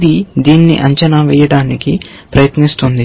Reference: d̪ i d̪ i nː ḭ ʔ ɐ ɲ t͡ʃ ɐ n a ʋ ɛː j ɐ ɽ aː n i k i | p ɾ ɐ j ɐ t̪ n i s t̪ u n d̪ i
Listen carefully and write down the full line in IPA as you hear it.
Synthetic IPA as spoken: d̪ i d̪ iː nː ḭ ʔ ɐ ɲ t͡ʃ ɐ n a ʋ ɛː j ɐ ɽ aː n i k i | p ɾ ɐ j ɐ t̪ n i s t̪ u n d̪ i